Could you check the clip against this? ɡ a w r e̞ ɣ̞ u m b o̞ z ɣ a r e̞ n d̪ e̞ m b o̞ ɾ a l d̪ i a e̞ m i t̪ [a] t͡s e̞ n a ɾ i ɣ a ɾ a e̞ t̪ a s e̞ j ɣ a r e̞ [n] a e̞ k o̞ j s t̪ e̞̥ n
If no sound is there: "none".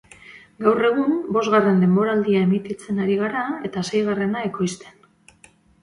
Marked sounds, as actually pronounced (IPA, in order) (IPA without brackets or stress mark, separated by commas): i, n